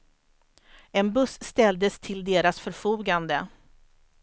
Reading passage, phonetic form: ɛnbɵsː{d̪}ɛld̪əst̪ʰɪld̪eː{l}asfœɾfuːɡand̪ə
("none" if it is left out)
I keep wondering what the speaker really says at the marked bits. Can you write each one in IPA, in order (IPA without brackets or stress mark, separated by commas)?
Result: t̪, ɾ